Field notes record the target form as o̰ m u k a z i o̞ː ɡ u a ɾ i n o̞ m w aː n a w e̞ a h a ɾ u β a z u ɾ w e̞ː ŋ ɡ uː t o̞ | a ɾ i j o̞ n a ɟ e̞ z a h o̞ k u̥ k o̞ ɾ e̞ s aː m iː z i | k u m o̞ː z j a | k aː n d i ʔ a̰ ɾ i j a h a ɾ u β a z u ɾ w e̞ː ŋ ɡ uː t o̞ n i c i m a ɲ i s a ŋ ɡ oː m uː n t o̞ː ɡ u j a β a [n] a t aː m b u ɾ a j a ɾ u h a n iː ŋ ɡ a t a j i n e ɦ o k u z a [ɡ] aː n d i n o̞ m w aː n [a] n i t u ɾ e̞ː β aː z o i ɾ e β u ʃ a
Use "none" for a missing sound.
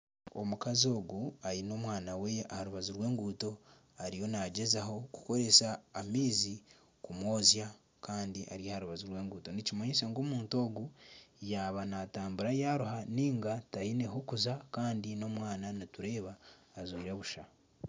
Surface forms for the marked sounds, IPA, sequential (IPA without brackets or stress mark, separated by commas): n, k, a